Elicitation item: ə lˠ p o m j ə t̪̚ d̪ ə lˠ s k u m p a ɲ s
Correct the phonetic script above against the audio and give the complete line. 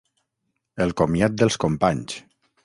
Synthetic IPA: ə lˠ k o m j a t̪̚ d̪ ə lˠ s k o m p a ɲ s

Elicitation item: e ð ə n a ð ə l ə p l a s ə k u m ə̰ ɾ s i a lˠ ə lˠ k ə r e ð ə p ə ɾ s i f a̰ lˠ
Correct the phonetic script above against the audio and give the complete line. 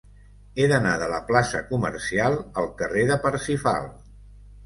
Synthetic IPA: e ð ə n a ð ə l ə p l a s ə k u m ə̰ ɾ s i a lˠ ə lˠ k ə r e ð ə p ə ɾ s i f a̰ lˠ

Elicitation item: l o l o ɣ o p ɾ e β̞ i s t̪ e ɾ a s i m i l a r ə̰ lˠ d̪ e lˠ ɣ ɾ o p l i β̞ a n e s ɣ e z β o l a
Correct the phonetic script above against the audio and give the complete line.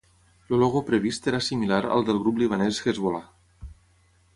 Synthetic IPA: l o l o ɣ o p ɾ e β̞ i s t̪ e ɾ a s i m i l a ɾ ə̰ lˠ d̪ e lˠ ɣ ɾ u p l i β̞ a n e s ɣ e z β o l a

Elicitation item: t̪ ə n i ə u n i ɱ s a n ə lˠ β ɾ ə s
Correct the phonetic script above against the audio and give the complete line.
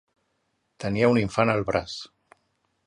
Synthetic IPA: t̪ ə n i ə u n i ɱ f a n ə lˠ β ɾ a s

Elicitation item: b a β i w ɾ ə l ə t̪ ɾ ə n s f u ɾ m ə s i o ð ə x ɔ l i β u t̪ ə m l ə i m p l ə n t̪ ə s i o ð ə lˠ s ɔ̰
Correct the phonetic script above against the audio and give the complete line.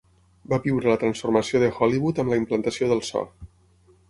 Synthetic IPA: b a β i w ɾ ə l ə t̪ ɾ ə n s f u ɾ m ə s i o ð ə x ɔ l i β u t̪ ə m l ə i m p l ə n t̪ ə s i o ð ə lˠ s ɔ̰

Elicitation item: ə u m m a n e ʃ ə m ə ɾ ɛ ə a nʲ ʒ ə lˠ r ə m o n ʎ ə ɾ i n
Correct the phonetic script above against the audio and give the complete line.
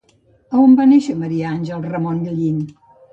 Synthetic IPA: ə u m b a n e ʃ ə m ə ɾ i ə a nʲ ʒ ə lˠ r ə m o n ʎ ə ʎ i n

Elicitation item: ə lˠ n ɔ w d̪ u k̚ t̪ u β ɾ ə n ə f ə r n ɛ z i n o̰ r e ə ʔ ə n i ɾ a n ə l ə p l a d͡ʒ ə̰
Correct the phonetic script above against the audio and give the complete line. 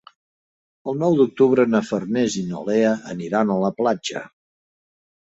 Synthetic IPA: ə lˠ n ɔ w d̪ u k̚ t̪ u β ɾ ə n ə f ə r n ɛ z i n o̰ l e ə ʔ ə n i ɾ a n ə l ə p l a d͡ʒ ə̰

